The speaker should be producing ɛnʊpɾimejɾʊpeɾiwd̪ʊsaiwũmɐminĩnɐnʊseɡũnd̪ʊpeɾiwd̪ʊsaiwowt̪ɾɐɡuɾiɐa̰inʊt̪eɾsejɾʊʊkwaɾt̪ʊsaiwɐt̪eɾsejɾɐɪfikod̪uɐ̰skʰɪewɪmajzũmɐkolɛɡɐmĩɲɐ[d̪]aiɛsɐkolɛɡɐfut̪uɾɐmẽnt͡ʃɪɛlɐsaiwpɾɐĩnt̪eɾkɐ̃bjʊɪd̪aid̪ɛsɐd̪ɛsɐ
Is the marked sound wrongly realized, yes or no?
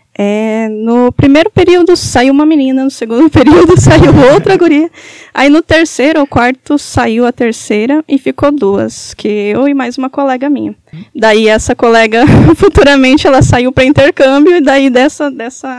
no